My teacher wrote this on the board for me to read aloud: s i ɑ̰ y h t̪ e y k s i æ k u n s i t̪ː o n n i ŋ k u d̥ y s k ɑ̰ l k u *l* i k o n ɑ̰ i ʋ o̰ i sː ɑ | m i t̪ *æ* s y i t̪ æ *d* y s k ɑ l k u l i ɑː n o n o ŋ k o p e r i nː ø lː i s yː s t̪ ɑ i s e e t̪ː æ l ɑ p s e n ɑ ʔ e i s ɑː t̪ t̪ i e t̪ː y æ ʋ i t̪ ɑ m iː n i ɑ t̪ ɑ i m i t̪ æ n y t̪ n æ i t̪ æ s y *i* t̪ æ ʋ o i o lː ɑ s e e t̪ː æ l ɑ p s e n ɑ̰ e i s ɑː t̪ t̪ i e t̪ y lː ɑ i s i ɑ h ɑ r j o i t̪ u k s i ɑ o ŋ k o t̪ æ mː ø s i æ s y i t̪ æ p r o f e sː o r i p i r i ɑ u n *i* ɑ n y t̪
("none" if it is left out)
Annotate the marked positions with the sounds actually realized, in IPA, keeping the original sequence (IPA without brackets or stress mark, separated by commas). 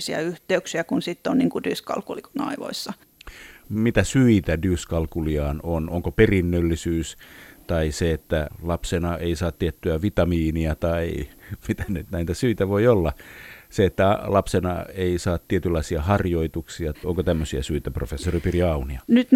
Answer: l, æ, d, i, i